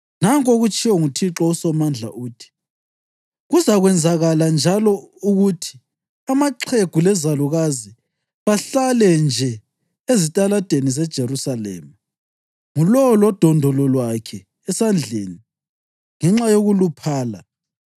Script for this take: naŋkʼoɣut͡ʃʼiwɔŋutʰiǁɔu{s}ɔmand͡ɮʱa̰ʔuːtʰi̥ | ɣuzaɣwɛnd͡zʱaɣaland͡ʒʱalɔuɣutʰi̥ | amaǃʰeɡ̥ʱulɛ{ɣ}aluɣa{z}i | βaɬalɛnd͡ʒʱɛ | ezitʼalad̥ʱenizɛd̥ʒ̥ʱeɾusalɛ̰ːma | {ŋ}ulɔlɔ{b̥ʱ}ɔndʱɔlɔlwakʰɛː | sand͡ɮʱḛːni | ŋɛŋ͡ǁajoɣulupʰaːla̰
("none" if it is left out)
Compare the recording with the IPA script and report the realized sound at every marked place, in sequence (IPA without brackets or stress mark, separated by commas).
s, z, z, ŋ, d̥ʱ